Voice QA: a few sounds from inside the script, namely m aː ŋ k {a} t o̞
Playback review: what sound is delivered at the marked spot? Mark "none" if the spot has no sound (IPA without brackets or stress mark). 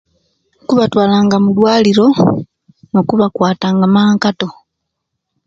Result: a